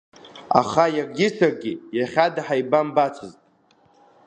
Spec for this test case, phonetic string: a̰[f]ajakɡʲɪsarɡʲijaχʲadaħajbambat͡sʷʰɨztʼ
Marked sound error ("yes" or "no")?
yes